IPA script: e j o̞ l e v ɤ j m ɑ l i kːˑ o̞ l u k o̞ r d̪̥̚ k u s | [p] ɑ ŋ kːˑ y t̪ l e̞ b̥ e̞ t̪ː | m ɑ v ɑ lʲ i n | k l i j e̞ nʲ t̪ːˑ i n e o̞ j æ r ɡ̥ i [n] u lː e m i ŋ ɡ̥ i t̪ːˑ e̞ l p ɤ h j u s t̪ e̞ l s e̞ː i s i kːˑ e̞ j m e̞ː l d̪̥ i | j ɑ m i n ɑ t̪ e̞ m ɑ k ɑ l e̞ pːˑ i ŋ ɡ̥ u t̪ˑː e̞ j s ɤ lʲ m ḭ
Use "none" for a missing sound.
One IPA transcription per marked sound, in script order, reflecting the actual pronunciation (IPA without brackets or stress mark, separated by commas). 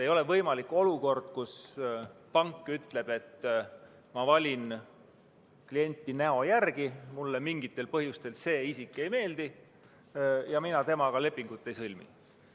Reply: p, m